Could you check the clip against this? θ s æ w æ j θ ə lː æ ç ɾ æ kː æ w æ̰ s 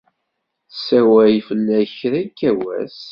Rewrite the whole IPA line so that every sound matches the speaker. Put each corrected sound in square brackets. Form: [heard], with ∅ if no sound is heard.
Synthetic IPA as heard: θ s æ w æ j [f] ə lː æ ç ɾ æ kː æ w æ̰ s